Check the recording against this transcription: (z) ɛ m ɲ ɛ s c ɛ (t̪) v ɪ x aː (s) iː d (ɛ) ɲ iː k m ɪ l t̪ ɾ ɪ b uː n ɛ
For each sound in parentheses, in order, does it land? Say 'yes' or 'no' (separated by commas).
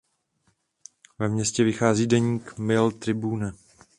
no, no, no, yes